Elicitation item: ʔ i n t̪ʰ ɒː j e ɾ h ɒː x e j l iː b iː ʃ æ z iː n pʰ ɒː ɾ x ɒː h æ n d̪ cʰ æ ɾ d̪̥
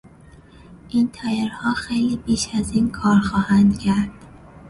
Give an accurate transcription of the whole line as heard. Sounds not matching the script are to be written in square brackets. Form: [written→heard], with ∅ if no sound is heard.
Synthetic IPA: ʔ i n t̪ʰ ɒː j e ɾ h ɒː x e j l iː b iː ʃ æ z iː n [pʰ→kʰ] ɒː ɾ x ɒː h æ n d̪ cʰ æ ɾ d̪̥

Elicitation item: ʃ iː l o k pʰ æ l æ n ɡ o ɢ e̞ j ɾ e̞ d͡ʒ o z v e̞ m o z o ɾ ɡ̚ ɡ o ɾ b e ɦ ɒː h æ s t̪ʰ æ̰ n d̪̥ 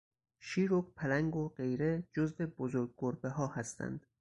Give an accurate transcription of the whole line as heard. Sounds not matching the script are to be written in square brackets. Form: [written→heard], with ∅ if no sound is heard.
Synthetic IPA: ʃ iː [l→ɾ] o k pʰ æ l æ [n→ŋ] ɡ o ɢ e̞ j ɾ e̞ d͡ʒ o z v e̞ [m→b] o z o ɾ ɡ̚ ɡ o ɾ b e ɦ ɒː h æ s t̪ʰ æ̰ n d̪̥

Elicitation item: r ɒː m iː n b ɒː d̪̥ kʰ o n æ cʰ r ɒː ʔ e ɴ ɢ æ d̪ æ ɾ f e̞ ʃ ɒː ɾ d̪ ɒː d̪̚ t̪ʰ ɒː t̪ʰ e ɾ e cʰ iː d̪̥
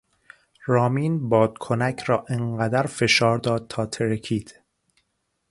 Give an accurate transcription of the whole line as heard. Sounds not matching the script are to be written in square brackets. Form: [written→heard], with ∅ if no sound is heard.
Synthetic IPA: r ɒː m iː n b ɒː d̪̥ kʰ o n æ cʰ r ɒː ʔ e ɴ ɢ æ d̪ æ ɾ f e̞ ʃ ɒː ɾ d̪ ɒː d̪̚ t̪ʰ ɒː t̪ʰ e ɾ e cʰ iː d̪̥

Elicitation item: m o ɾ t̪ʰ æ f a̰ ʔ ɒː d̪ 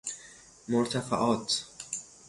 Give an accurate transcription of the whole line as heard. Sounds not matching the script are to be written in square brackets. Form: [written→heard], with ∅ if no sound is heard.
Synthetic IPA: m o ɾ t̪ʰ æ f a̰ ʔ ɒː [d̪→t̪]

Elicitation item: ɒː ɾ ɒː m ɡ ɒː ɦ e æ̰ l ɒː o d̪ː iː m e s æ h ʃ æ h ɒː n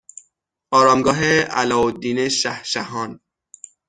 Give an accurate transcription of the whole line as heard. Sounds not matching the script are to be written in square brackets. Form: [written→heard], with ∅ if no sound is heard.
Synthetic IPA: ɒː ɾ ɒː m ɡ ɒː ɦ e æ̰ l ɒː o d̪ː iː [m→n] e [s→ʃ] æ h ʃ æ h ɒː n

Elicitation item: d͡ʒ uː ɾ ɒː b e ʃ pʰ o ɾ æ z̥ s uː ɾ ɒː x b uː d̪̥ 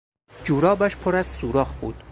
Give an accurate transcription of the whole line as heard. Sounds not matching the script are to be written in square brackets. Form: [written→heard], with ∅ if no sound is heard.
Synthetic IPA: d͡ʒ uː ɾ ɒː b [e→æ] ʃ pʰ o ɾ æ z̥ s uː ɾ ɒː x b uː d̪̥

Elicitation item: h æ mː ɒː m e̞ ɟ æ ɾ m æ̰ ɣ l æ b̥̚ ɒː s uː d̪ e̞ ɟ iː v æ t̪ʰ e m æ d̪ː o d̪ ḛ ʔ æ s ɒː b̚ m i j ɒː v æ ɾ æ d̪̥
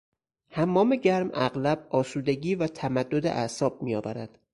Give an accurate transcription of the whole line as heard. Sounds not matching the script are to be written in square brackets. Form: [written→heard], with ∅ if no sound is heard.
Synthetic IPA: h æ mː ɒː m e̞ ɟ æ ɾ m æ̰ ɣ l æ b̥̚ ɒː s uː d̪ e̞ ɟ iː v æ t̪ʰ [e→æ] m æ d̪ː o d̪ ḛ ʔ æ s ɒː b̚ m i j ɒː v æ ɾ æ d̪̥

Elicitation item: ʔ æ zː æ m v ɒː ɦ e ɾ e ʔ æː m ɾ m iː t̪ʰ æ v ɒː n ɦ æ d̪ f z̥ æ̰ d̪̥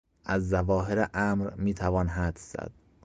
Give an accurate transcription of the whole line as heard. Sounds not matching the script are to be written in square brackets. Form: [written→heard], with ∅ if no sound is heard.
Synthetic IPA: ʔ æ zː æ [m→∅] v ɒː ɦ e ɾ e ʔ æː m ɾ m iː t̪ʰ æ v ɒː n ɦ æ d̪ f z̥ æ̰ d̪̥

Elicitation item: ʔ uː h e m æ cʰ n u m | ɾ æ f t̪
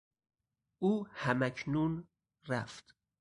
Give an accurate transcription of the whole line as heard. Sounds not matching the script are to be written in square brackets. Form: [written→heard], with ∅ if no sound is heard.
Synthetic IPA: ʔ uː h [e→æ] m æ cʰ n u [m→n] | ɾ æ f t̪

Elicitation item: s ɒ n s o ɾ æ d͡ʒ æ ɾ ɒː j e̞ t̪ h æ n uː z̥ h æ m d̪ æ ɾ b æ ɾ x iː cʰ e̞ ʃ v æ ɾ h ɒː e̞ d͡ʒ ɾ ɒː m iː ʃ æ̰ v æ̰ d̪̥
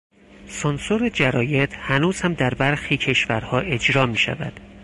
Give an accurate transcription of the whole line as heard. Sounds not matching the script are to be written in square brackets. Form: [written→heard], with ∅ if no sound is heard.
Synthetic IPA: s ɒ n s o ɾ [æ→e] d͡ʒ æ ɾ ɒː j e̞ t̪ h æ n uː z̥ h æ m d̪ æ ɾ b æ ɾ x iː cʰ e̞ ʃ v æ ɾ h ɒː e̞ d͡ʒ ɾ ɒː m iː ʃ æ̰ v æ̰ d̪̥

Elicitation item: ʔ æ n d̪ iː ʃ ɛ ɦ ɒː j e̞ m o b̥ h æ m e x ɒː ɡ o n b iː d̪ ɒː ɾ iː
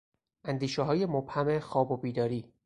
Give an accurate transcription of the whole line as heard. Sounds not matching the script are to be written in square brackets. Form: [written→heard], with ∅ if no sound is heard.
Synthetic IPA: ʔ æ n d̪ iː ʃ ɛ ɦ ɒː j e̞ m o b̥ h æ m e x ɒː [ɡ→b] o [n→∅] b iː d̪ ɒː ɾ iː

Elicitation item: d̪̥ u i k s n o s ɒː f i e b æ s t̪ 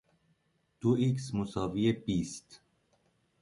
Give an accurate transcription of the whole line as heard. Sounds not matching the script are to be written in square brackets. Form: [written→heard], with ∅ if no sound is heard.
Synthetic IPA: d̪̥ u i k s [n→m] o s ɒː [f→v] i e b [æ→i] s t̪

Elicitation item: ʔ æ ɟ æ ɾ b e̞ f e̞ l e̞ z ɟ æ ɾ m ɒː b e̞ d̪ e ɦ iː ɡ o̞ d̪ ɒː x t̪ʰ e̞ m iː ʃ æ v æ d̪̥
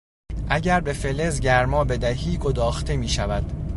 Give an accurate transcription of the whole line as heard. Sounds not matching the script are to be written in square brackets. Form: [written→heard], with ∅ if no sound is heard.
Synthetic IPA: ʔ æ ɟ æ ɾ b e̞ f e̞ l e̞ z ɟ æ ɾ m ɒː b e̞ d̪ [e→æ] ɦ iː ɡ o̞ d̪ ɒː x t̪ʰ e̞ m iː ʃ æ v æ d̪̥

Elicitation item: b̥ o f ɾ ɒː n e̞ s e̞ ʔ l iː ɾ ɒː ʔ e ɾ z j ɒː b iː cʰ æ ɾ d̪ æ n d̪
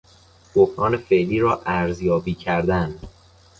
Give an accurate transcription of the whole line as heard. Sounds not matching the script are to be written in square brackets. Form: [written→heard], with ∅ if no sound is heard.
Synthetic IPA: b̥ o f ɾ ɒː n e̞ [s→f] e̞ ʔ l iː ɾ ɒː ʔ [e→æ] ɾ z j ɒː b iː cʰ æ ɾ d̪ æ n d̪

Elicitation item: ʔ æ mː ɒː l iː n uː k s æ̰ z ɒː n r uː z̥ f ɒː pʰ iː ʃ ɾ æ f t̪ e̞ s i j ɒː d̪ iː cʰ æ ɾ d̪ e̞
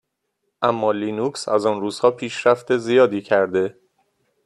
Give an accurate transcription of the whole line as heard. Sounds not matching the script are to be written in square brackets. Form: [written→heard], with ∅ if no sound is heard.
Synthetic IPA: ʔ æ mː ɒː l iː n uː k s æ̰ z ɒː n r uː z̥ [f→h] ɒː pʰ iː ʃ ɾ æ f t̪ e̞ [s→z] i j ɒː d̪ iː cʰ æ ɾ d̪ e̞

